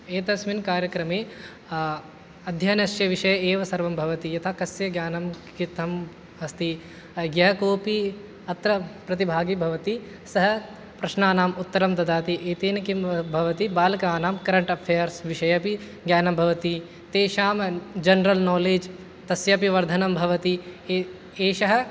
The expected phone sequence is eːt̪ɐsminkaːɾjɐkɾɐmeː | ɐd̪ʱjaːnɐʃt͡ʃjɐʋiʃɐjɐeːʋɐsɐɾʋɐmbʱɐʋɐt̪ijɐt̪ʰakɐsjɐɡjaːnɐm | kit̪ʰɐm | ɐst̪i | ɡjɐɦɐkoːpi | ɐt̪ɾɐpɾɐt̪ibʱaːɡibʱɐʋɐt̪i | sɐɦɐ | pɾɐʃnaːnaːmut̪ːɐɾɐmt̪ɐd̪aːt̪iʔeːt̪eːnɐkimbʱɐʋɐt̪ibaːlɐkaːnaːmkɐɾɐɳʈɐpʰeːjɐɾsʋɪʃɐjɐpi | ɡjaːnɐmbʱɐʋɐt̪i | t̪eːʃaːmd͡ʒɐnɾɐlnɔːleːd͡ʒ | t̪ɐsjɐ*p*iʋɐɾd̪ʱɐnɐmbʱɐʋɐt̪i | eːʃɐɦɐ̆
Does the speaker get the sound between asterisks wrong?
no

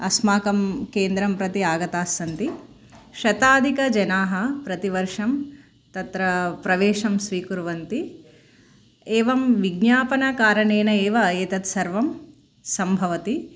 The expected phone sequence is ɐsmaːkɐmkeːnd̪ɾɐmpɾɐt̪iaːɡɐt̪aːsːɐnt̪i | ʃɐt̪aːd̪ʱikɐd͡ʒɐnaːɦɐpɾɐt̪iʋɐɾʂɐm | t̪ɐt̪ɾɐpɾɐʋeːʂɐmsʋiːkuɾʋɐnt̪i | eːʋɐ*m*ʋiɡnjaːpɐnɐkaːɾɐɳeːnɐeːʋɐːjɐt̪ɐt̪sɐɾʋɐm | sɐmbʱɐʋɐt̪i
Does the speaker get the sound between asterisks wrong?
no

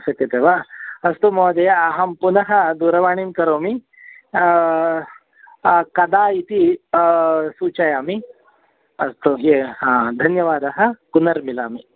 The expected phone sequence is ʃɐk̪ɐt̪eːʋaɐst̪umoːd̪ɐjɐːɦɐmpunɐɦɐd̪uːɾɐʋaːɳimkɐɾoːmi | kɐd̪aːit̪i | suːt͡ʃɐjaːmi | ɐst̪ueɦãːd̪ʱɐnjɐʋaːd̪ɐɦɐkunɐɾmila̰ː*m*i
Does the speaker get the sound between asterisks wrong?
no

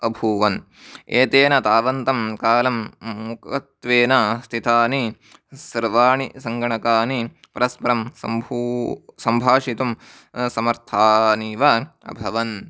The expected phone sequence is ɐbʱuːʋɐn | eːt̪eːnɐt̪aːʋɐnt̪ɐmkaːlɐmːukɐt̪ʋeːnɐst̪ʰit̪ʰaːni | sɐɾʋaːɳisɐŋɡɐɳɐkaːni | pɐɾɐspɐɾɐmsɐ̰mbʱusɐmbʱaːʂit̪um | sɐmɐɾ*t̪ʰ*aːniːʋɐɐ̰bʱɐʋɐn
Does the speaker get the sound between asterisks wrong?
no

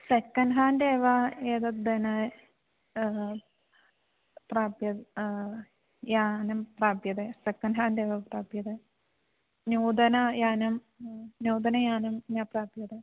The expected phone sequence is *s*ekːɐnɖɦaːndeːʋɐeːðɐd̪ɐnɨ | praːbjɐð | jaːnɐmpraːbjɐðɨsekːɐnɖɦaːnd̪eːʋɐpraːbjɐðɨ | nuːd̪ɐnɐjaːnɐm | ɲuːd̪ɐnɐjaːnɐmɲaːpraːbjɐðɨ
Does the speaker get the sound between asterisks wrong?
no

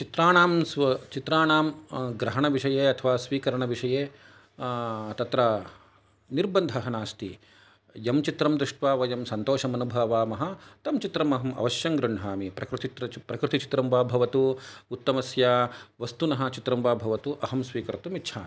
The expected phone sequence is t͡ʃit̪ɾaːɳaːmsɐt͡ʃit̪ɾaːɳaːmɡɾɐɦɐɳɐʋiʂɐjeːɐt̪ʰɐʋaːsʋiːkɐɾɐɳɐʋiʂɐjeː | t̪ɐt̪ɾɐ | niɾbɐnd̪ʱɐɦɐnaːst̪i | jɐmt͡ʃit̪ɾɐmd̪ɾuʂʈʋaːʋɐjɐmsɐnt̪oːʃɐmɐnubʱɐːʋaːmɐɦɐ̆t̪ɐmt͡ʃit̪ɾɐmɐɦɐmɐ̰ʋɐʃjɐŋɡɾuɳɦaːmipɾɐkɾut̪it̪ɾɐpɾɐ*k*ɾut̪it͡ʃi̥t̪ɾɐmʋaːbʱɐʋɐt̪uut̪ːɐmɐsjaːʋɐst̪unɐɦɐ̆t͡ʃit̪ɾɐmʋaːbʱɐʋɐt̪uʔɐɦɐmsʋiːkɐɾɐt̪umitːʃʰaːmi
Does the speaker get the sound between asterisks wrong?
no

